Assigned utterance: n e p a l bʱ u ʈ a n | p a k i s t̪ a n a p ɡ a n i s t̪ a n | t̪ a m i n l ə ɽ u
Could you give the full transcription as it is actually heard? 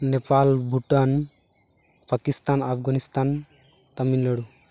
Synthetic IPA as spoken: n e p a l bʱ u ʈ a n | p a k i s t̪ a n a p ɡ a n i s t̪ a n | t̪ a m i n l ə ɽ u